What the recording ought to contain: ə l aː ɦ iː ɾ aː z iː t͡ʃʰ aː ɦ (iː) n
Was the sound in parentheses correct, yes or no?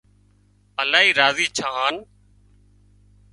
no